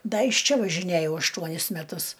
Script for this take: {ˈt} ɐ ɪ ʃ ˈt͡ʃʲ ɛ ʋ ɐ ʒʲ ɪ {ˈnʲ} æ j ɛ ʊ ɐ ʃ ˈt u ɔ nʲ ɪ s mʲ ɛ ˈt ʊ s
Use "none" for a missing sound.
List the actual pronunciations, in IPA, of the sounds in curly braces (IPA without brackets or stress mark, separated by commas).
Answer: d, nʲ